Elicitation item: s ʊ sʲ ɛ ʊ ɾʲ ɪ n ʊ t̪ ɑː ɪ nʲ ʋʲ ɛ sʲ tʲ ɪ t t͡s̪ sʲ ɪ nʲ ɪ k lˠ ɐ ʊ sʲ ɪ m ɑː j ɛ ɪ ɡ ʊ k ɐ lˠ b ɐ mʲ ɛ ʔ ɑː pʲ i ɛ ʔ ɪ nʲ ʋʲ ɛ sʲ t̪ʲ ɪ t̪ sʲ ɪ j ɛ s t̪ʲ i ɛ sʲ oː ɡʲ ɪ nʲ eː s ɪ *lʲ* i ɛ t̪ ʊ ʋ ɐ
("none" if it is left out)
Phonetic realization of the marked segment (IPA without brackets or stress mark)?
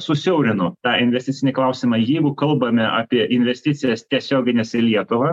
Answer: lʲ